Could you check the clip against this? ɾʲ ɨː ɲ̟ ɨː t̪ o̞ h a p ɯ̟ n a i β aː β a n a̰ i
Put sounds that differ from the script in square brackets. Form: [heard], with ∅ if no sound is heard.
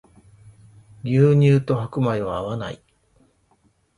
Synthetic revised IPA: ɾʲ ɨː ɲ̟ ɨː t̪ o̞ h a [k] ɯ̟ [m] a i β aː β a n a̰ i